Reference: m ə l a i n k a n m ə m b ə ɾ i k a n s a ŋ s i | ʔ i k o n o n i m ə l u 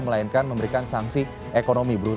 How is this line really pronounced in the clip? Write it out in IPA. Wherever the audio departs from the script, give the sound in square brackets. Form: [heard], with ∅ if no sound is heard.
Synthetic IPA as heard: m ə l a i n k a n m ə m b ə ɾ i k a n s a ŋ s i | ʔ [e] k o n o [m] i [b] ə [ɾ] u

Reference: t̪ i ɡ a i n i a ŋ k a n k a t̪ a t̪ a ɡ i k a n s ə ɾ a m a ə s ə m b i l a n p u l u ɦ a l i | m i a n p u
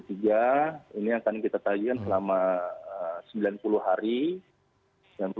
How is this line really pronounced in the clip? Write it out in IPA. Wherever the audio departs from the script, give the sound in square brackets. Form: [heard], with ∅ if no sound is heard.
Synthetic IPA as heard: t̪ i ɡ a i n i a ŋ k a n k [i] t̪ a t̪ a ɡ i k a n s ə [l] a m a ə s ə m b i l a n p u l u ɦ a [ɾ] i | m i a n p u

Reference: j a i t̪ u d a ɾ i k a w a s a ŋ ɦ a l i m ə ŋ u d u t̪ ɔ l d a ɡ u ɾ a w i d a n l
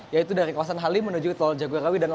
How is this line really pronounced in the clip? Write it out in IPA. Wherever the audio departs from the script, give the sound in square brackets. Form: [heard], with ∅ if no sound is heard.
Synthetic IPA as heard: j a i t̪ u d a ɾ i k a w a s a [n] ɦ a l i m ə [n] u [d͡ʒ] u t̪ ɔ l [d͡ʒ] a ɡ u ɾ a w i d a n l

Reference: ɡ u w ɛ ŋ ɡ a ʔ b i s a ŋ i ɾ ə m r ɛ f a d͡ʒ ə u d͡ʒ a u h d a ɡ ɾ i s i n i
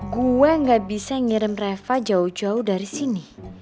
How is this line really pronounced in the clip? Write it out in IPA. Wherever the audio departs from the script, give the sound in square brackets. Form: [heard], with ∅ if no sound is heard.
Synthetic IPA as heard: ɡ u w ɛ ŋ ɡ a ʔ b i s a ŋ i ɾ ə m r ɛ f a d͡ʒ [a] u d͡ʒ a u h d a [∅] ɾ i s i n i

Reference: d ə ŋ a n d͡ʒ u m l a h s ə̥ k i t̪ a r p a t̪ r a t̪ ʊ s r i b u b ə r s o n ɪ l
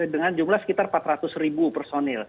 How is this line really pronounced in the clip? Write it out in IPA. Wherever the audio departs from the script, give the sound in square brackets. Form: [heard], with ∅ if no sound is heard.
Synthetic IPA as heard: d ə ŋ a n d͡ʒ u m l a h s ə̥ k i t̪ a r p a t̪ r a t̪ ʊ s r i b u [p] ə r s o n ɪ l

